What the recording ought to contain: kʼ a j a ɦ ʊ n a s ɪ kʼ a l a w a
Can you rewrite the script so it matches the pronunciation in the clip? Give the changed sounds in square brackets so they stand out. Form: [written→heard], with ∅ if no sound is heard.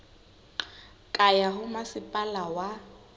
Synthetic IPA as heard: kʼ a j a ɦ ʊ [n→m] a s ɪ [kʼ→pʼ] a l a w a